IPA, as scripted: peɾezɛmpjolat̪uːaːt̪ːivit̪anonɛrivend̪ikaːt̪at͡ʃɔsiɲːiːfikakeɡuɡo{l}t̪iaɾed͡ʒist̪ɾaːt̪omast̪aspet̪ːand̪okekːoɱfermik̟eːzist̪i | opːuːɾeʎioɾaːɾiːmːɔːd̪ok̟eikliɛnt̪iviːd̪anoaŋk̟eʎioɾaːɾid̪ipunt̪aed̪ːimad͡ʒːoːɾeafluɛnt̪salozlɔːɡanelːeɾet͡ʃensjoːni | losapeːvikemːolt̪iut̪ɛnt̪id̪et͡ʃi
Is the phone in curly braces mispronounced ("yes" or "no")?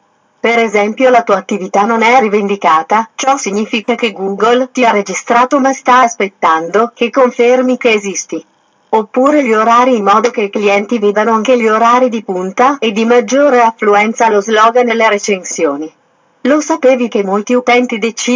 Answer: no